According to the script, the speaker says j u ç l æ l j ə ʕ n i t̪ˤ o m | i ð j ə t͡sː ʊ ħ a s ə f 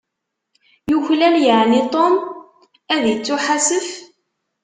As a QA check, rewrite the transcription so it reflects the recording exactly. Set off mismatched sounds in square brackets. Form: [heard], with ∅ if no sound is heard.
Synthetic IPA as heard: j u ç l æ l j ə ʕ n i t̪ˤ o m | [æ] ð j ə t͡sː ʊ ħ a s ə f